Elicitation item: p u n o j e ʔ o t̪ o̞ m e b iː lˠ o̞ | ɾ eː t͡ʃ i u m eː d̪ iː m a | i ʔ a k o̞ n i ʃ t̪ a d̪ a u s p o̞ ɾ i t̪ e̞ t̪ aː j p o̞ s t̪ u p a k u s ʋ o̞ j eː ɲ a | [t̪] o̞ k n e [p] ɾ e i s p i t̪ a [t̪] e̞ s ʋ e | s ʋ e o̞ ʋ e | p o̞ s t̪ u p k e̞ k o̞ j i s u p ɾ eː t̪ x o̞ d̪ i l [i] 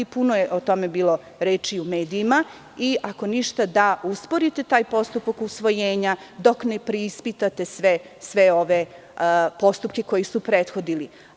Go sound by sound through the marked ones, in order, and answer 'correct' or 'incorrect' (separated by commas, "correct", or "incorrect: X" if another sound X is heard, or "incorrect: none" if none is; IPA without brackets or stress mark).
incorrect: d̪, correct, correct, correct